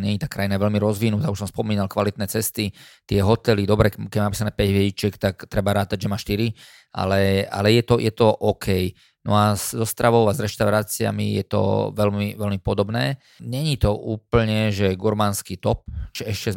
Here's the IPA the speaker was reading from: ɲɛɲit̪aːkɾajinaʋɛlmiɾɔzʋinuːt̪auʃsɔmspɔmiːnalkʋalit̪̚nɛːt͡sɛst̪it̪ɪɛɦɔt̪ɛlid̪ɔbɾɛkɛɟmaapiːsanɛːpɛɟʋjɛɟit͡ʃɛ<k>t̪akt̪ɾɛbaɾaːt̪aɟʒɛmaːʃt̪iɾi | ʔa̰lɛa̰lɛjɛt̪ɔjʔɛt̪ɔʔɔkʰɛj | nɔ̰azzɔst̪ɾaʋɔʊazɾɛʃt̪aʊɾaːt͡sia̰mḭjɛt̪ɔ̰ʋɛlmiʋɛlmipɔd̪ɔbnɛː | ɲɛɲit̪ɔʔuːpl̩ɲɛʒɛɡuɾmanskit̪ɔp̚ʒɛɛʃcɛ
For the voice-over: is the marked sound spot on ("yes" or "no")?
yes